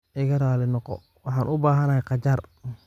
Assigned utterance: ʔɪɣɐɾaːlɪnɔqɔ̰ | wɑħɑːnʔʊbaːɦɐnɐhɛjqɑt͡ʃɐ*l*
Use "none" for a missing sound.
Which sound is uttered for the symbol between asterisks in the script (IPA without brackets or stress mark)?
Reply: r